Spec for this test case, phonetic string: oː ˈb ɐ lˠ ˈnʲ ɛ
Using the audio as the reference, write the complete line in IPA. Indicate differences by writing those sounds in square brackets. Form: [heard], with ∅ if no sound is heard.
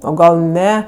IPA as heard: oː [ˈɡ] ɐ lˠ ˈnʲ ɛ